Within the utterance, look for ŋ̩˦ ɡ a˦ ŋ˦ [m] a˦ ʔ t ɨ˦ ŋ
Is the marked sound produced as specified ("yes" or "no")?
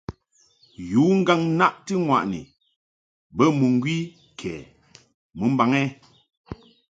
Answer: no